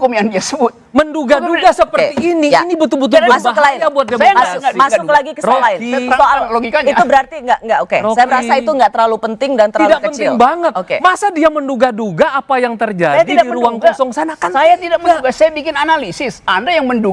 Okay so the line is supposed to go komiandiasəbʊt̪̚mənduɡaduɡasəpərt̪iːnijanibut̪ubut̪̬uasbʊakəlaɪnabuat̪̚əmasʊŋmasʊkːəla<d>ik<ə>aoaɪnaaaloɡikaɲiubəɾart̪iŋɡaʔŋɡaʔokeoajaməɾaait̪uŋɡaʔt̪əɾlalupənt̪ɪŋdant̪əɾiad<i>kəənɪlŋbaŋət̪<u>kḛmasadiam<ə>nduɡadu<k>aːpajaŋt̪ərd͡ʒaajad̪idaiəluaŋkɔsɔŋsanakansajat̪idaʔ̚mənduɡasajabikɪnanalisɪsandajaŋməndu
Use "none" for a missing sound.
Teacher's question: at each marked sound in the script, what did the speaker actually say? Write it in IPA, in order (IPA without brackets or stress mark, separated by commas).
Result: ɡ, ə, a, o, ə, ɡ